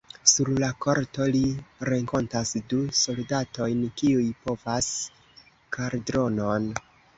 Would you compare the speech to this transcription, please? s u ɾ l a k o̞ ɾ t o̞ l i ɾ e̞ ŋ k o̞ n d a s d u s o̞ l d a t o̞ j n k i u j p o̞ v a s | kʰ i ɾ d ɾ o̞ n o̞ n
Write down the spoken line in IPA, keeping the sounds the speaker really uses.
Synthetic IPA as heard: s u ɾ l a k o̞ ɾ t o̞ l i ɾ e̞ ŋ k o̞ n t a s d u s o̞ l d a t o̞ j n k i u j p o̞ v a s | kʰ a ɾ d ɾ o̞ n o̞ n

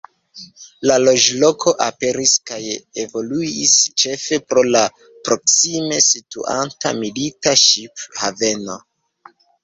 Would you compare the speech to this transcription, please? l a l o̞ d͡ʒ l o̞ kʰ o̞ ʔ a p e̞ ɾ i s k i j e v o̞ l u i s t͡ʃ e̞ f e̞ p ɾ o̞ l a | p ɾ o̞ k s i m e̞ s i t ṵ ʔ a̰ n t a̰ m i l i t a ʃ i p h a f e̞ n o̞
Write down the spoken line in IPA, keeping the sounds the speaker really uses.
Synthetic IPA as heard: l a l o̞ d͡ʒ l o̞ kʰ o̞ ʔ a p e̞ ɾ i s k a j e v o̞ l u i s t͡ʃ e̞ f e̞ p ɾ o̞ l a | p ɾ o̞ k s i m e̞ s i t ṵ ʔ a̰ n t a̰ m i l i t a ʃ i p h a v e̞ n o̞

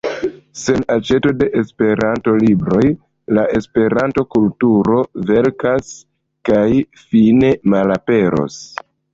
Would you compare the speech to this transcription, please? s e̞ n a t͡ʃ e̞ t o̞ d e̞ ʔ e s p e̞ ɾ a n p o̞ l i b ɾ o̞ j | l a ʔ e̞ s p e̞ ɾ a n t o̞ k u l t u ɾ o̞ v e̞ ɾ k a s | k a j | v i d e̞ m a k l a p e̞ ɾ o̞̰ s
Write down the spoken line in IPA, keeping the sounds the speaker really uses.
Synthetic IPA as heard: s e̞ n a t͡ʃ e̞ t o̞ d e̞ ʔ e s p e̞ ɾ a n t o̞ l i b ɾ o̞ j | l a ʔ e̞ s p e̞ ɾ a n t o̞ k u l t u ɾ o̞ v e̞ ɾ k a s | k a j | f i n e̞ m a l a p e̞ ɾ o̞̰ s

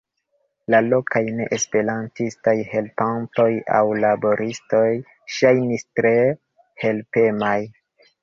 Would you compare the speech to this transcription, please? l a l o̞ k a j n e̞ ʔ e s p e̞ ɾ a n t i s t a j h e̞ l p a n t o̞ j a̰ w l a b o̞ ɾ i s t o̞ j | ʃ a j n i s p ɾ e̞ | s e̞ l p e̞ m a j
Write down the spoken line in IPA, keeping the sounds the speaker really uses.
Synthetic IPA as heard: l a l o̞ k a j n e̞ ʔ e s p e̞ ɾ a n t i s t a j h e̞ l p a n t o̞ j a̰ w l a b o̞ ɾ i s t o̞ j | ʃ a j n i s t ɾ e̞ | h e̞ l p e̞ m a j

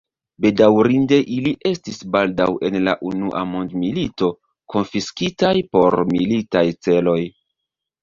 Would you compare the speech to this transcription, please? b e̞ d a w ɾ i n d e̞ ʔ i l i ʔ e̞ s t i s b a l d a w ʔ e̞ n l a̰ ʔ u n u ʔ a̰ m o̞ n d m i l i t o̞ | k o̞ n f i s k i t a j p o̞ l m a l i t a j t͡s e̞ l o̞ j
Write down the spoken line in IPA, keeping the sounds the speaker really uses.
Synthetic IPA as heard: b e̞ d a w ɾ i n d e̞ ʔ i l i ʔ e̞ s t i s b a l d a w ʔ e̞ n l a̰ ʔ u n u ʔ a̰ m o̞ n d m i l i t o̞ | k o̞ n f i s k i t a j p o̞ ɾ m i l i t a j t͡s e̞ l o̞ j

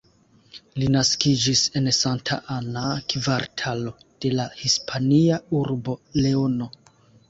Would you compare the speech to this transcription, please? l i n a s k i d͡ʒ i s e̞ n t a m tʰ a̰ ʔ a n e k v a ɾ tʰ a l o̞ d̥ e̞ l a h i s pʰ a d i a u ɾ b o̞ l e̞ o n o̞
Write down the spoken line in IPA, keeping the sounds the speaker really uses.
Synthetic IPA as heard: l i n a s k i d͡ʒ i s e̞ n s a n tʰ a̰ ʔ a n a k v a ɾ tʰ a l o̞ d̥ e̞ l a h i s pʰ a n i a u ɾ b o̞ l e̞ o n o̞

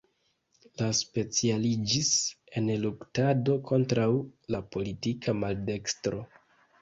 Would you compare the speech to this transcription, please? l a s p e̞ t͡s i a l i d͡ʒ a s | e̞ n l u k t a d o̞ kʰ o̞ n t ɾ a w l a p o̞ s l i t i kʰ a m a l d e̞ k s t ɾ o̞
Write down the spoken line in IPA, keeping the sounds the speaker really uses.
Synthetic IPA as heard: l a s p e̞ t͡s i a l i d͡ʒ i s | e̞ n l u k t a d o̞ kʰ o̞ n t ɾ a w l a p o̞ l i t i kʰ a m a l d e̞ k s t ɾ o̞

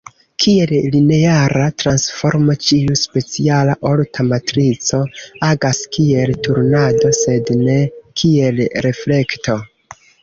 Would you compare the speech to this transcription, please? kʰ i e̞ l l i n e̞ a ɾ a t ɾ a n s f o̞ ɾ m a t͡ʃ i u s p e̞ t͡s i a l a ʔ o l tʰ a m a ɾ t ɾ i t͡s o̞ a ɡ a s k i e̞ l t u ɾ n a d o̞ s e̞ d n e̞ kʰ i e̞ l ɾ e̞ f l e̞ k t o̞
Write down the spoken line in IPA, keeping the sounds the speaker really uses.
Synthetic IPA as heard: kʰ i e̞ l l i n e̞ a ɾ a t ɾ a n s f o̞ ɾ m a t͡ʃ i u s p e̞ t͡s i a l a ʔ o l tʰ a m a t ɾ i t͡s o̞ a ɡ a s k i e̞ l t u ɾ n a d o̞ s e̞ d n e̞ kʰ i e̞ l ɾ e̞ f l e̞ k t o̞

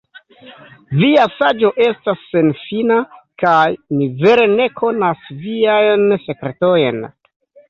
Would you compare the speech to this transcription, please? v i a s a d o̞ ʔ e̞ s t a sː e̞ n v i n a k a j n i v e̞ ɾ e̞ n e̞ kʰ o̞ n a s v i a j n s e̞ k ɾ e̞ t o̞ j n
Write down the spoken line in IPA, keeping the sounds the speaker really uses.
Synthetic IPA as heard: v i a s a d͡ʒ o̞ ʔ e̞ s t a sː e̞ n f i n a k a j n i v e̞ ɾ e̞ n e̞ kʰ o̞ n a s v i a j n s e̞ k ɾ e̞ t o̞ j n

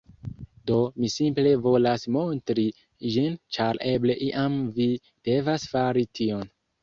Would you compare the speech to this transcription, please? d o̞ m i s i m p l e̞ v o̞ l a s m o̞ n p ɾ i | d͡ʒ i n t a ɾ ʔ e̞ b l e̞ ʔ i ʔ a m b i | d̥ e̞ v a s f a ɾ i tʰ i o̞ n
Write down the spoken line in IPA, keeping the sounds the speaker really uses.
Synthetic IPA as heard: d o̞ m i s i m p l e̞ v o̞ l a s m o̞ n t ɾ i | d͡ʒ i n t͡ʃ a ɾ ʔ e̞ b l e̞ ʔ i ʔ a m v i | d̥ e̞ v a s f a ɾ i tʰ i o̞ n

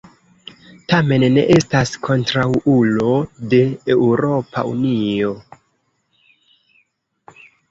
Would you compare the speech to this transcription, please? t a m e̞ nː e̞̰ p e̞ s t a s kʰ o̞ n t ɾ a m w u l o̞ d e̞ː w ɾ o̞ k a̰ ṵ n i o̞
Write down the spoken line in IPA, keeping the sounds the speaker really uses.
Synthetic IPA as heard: t a m e̞ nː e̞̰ ʔ e̞ s t a s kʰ o̞ n t ɾ a w u l o̞ d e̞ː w ɾ o̞ p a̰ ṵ n i o̞

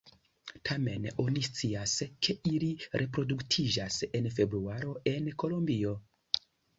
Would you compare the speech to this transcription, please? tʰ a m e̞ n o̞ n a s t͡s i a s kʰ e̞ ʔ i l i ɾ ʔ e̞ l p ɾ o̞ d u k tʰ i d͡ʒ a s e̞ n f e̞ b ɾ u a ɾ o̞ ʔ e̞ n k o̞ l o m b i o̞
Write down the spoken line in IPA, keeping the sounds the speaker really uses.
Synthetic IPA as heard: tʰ a m e̞ n o̞ n i s t͡s i a s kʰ e̞ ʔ i l i ɾ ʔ e̞ p ɾ o̞ d u k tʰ i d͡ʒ a s e̞ n f e̞ b ɾ u a ɾ o̞ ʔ e̞ n k o̞ l o m b i o̞

